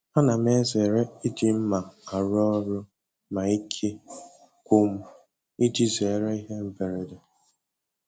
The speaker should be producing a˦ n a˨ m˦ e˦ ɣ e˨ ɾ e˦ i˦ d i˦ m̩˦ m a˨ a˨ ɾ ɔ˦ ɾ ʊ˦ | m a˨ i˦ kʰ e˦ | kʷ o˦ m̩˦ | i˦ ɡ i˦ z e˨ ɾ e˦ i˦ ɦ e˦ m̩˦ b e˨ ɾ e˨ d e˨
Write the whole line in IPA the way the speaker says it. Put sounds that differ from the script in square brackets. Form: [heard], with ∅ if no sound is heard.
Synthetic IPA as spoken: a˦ n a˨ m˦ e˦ [z] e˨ ɾ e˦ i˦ d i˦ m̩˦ m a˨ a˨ ɾ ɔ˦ ɾ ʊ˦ | m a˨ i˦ kʰ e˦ | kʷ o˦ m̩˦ | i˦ [d] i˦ z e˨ ɾ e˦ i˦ ɦ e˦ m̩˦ b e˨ ɾ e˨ d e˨